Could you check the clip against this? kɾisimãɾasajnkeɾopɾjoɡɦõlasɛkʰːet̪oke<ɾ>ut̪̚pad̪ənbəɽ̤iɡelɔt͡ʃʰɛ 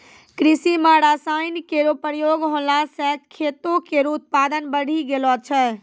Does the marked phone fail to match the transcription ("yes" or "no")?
no